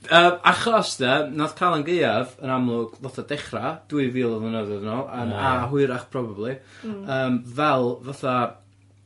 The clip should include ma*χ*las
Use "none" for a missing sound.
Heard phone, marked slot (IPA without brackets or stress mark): χ